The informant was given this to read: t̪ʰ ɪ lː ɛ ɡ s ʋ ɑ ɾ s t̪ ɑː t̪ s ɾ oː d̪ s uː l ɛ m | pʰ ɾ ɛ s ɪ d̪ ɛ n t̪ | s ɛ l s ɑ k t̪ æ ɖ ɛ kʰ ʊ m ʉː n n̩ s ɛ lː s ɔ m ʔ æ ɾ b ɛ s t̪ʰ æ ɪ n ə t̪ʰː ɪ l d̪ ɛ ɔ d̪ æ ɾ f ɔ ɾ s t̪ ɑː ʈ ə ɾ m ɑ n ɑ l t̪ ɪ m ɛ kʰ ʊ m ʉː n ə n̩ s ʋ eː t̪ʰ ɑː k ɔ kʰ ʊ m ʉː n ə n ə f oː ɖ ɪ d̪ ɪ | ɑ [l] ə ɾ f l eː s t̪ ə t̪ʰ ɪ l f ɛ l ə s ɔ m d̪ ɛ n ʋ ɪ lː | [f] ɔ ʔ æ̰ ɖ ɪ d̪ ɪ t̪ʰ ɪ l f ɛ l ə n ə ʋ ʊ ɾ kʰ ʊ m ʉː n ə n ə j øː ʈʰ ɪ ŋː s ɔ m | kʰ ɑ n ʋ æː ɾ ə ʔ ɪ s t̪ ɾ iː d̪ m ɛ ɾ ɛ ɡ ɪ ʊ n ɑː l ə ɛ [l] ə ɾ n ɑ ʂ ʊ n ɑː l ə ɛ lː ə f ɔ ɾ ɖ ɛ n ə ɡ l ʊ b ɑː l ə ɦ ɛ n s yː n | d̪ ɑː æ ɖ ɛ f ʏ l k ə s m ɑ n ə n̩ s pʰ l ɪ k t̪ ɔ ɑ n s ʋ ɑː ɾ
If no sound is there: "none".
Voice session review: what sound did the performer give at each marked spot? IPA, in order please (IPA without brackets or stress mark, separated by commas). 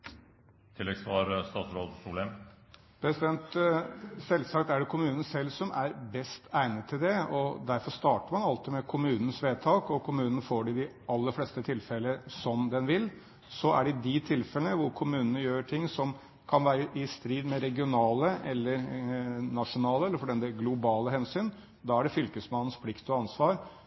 lː, s, lː